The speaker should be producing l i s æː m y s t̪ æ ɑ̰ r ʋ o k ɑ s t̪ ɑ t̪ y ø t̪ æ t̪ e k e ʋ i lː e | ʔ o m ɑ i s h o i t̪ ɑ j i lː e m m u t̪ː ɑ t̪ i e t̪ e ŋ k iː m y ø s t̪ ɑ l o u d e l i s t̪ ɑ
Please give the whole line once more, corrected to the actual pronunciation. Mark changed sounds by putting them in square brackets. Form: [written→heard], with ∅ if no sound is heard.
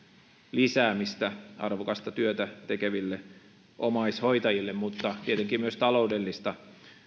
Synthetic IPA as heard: l i s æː m [y→i] s t̪ æ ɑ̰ r ʋ o k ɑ s t̪ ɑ t̪ y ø t̪ æ t̪ e k e ʋ i lː e | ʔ o m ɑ i s h o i t̪ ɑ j i lː e m m u t̪ː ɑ t̪ i e t̪ e ŋ k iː m y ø s t̪ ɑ l o u d e [l→lː] i s t̪ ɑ